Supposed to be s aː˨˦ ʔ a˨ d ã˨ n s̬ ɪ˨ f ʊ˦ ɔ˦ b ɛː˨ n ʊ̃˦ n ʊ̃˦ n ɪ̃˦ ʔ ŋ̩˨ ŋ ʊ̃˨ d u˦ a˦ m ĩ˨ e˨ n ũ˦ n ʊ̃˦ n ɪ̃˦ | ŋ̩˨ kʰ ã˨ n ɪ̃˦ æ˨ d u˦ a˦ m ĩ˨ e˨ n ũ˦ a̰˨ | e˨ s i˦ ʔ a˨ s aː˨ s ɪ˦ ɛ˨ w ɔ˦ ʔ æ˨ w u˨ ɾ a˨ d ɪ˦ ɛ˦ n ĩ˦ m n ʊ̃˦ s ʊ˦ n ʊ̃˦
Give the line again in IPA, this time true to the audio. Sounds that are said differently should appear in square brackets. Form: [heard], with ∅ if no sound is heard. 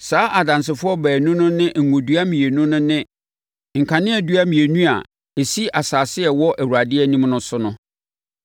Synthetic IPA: s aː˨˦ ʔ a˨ d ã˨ n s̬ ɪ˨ f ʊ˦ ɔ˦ b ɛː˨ n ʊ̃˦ n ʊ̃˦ n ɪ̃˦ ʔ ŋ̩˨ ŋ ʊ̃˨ d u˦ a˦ m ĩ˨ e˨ n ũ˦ n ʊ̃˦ n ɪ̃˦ | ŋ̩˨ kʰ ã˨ n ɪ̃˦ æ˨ d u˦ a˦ m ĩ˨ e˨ n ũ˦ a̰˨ | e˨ s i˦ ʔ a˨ s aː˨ s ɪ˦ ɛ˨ w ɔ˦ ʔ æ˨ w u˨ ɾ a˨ d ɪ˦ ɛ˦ n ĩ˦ m n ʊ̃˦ s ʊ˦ n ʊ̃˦